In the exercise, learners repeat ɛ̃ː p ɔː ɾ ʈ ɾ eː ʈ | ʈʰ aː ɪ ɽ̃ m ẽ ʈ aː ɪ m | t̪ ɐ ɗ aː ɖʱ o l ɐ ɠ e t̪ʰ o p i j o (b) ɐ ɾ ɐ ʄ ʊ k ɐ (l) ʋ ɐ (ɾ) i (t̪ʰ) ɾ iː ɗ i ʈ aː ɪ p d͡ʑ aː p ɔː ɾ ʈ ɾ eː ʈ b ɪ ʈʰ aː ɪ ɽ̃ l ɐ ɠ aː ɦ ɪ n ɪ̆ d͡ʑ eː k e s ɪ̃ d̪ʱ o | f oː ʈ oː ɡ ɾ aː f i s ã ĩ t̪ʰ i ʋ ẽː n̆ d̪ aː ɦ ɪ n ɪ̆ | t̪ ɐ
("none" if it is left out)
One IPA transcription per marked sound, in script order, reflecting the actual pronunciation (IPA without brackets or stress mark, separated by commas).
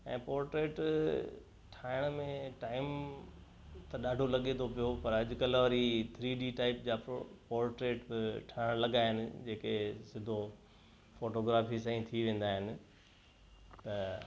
p, l, ɾ, t̪ʰ